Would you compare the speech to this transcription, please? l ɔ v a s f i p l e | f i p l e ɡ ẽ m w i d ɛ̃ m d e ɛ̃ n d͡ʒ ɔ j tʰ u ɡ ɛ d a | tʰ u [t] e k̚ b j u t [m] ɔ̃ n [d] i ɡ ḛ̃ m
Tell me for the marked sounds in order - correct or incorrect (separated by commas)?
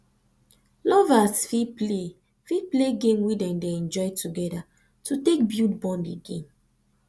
correct, incorrect, correct